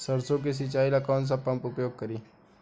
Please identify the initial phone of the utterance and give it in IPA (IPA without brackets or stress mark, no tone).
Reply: s